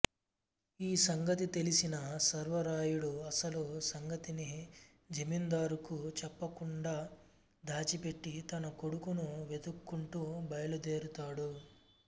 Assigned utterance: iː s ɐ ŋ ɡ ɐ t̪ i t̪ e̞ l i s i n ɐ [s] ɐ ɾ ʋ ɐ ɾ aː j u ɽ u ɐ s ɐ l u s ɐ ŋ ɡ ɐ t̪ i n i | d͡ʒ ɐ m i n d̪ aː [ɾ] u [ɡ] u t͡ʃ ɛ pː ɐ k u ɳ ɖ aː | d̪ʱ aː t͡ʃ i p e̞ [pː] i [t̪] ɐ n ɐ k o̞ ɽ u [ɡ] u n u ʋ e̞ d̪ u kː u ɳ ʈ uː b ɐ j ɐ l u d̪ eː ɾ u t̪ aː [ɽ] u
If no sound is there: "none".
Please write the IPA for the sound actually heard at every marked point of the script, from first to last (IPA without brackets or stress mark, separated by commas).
s, ɾ, k, ʈː, t̪, k, ɽ